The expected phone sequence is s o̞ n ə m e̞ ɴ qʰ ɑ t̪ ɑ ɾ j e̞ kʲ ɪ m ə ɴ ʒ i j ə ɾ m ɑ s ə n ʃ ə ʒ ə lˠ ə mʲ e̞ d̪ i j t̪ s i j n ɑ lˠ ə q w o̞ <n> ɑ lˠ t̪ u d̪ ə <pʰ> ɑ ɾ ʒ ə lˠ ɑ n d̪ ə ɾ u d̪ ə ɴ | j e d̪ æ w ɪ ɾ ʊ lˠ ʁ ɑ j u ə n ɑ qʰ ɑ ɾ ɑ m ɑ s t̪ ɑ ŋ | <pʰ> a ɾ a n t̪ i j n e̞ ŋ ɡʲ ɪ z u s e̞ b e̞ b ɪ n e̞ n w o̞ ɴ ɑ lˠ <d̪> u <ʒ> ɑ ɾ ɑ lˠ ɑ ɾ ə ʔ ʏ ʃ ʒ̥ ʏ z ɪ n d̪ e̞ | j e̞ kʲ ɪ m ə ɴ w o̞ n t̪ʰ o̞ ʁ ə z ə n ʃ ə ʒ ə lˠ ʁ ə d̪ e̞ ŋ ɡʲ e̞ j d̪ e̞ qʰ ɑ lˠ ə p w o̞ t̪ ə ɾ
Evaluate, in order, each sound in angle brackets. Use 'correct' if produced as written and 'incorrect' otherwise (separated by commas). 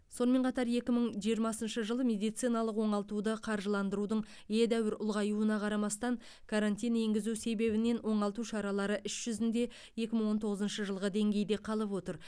incorrect, incorrect, incorrect, incorrect, incorrect